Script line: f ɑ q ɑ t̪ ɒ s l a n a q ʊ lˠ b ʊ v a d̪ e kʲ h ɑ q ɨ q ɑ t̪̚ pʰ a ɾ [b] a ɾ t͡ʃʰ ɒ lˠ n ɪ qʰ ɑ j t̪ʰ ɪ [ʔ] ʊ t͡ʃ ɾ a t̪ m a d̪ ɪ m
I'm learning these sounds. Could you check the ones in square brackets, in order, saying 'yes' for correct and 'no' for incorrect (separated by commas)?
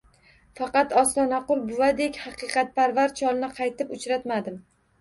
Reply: no, no